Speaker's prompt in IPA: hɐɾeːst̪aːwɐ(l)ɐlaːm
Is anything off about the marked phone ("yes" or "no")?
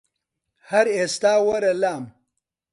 yes